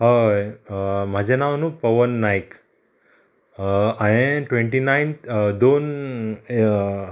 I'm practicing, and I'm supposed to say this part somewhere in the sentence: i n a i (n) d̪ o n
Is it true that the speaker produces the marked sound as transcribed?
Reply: yes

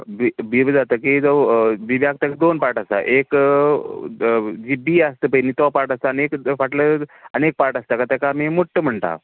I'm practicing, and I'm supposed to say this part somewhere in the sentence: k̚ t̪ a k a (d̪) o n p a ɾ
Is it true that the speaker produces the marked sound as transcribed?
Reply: yes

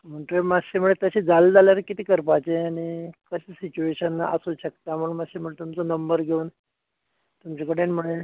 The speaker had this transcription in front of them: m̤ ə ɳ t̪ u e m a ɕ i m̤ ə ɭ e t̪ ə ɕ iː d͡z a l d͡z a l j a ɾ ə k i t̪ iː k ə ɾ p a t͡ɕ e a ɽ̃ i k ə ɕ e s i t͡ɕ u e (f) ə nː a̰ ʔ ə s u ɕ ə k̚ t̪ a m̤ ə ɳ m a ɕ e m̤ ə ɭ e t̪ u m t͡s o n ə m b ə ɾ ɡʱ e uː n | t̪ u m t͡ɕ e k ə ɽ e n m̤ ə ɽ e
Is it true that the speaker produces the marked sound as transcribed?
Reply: no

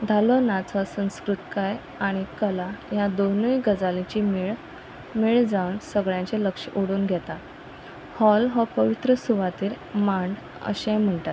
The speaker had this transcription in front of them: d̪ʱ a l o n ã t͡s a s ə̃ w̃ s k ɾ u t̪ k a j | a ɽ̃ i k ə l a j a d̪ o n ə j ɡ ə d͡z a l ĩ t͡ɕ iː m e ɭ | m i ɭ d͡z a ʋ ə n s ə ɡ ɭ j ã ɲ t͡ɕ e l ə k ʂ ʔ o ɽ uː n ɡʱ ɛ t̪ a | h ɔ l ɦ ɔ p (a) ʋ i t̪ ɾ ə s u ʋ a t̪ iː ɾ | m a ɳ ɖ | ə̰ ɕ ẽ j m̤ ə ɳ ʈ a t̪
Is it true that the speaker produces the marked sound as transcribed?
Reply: no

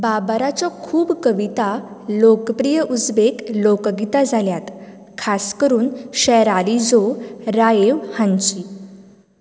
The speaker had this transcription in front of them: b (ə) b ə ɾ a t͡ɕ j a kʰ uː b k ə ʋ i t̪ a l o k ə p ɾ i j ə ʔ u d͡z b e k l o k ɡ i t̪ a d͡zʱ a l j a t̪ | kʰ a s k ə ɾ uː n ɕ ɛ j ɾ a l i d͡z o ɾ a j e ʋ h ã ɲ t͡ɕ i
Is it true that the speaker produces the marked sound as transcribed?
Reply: no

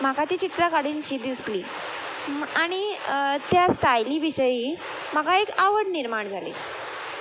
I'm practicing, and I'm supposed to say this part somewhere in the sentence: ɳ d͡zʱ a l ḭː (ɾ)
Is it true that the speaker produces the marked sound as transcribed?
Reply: no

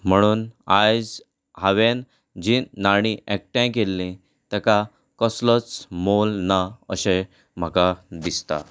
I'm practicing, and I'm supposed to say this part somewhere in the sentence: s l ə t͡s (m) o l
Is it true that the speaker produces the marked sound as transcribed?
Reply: yes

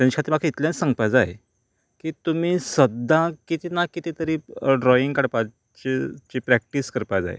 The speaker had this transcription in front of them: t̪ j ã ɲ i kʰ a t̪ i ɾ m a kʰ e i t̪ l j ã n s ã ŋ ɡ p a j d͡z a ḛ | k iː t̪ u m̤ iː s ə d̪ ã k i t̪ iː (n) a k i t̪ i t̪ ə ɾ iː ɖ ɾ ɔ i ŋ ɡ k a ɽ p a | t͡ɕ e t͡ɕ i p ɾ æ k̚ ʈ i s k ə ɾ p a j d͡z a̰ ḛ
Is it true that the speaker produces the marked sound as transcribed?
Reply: yes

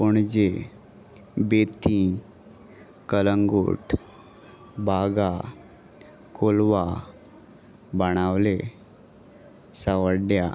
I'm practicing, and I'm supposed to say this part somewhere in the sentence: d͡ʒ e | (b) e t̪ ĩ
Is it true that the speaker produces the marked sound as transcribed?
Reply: yes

